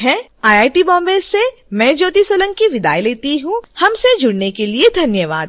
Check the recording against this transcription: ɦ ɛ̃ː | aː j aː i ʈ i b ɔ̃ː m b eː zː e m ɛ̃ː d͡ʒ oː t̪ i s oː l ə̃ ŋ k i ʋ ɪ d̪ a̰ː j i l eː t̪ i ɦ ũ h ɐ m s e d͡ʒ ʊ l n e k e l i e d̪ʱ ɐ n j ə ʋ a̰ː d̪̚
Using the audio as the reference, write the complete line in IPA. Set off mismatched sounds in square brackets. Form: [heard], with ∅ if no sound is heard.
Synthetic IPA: ɦ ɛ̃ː | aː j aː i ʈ i b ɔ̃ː m b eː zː e m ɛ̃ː d͡ʒ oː t̪ i s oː l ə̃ ŋ k i ʋ ɪ d̪ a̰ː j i l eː t̪ i ɦ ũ h ɐ m s e d͡ʒ ʊ [ɽ] n e k e l i e d̪ʱ ɐ n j ə ʋ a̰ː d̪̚

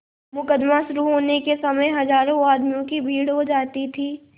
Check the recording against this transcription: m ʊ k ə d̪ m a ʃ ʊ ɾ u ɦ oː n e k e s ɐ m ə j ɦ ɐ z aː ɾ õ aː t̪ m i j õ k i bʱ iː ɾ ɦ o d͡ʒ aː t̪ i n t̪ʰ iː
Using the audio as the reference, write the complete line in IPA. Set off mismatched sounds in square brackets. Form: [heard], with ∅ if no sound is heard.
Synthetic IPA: m ʊ k ə d̪ m a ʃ ʊ ɾ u ɦ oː n e k e s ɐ m ə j ɦ ɐ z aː ɾ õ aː [d̪] m i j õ k i bʱ iː [ɽ] ɦ o d͡ʒ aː t̪ i [∅] t̪ʰ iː

